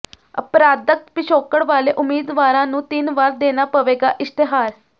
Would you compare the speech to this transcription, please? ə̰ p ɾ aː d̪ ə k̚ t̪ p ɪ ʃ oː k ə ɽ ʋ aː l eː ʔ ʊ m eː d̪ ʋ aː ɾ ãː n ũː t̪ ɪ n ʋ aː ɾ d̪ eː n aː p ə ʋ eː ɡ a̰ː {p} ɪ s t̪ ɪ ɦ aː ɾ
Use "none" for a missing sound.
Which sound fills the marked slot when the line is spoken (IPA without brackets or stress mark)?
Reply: ʔ